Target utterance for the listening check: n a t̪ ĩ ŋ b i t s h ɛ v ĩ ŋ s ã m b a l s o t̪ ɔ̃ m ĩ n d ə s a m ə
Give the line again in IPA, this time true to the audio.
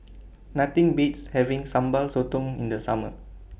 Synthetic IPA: n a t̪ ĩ ŋ b i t s h ɛ v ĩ ŋ s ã m b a l s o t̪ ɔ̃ ŋ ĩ n d ə s a m ə